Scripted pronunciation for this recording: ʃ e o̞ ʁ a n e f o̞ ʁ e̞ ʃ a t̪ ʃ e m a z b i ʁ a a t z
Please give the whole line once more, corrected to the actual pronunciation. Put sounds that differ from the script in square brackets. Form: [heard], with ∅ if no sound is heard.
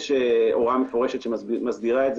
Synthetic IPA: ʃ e o̞ ʁ a [m] e f o̞ ʁ e̞ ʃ [e] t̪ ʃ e m a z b i ʁ a [e] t z